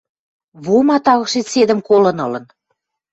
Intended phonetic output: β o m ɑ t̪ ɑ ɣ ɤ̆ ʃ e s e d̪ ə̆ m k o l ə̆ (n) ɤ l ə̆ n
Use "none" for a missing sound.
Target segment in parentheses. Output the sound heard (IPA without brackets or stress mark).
n